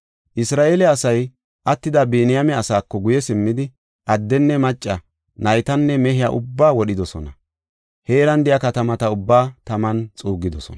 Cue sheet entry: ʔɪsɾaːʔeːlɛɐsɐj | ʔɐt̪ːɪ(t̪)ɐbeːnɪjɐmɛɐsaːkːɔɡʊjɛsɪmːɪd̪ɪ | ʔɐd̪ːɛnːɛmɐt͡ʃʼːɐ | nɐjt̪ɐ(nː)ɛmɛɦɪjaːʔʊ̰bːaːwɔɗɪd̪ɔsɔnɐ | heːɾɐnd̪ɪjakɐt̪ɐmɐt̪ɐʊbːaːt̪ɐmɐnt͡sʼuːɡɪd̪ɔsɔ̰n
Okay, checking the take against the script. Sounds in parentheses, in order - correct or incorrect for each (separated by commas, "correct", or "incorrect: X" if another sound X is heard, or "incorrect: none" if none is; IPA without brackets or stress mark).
incorrect: d̪, correct